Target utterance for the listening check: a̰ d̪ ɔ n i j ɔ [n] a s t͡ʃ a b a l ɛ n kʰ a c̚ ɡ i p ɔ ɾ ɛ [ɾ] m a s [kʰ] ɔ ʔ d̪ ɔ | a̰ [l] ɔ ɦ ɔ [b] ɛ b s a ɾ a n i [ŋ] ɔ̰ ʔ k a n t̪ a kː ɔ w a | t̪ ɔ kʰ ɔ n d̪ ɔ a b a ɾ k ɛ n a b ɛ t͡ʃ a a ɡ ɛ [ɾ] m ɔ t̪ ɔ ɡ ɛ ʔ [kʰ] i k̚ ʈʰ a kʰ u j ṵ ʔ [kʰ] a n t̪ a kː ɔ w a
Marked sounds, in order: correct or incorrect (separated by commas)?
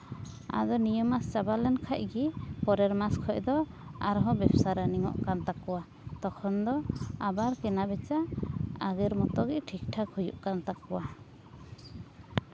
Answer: incorrect, correct, correct, incorrect, correct, correct, correct, incorrect, incorrect